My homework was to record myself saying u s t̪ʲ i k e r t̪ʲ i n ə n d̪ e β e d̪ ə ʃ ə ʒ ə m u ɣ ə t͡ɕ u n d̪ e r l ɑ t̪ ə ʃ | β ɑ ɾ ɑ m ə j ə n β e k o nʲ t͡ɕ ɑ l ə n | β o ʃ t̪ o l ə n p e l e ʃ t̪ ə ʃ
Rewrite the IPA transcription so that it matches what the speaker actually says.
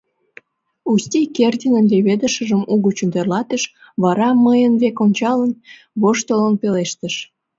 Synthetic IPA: u s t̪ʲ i k e r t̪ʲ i n ə n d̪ e β e d̪ ə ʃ ə ʒ ə m u ɣ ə t͡ɕ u n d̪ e r l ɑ t̪ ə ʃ | β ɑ ɾ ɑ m ə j ə n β e k o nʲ t͡ɕ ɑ l ə n | β o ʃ t̪ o l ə n p e l e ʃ t̪ ə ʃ

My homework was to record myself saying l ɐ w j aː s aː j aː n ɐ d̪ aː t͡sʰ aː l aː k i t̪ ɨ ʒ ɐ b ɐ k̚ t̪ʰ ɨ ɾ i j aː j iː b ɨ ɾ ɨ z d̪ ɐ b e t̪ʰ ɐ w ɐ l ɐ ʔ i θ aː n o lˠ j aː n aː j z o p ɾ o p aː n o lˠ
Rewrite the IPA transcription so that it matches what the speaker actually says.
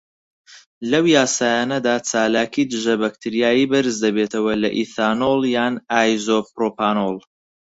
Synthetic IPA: l ɐ w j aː s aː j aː n ɐ d̪ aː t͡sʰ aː l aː k i d̪ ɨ ʒ ɐ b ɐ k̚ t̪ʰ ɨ ɾ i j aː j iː b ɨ ɾ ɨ z d̪ ɐ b e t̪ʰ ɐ w ɐ l ɐ ʔ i θ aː n o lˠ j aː n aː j z o p ɾ o p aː n o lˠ

